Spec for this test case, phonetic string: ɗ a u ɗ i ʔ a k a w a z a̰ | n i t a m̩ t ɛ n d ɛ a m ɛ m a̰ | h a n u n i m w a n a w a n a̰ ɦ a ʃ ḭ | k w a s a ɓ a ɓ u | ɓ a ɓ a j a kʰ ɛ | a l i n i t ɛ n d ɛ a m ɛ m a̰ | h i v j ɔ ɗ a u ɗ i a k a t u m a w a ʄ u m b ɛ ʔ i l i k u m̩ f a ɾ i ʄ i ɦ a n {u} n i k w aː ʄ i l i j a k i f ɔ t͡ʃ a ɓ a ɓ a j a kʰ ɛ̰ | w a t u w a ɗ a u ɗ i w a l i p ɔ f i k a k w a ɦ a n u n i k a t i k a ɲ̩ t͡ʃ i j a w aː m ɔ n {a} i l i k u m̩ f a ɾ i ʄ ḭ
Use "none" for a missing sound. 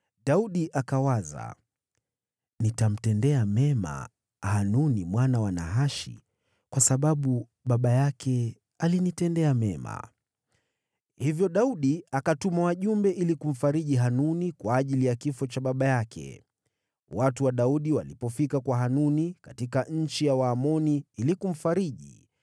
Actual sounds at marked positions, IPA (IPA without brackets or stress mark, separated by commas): u, i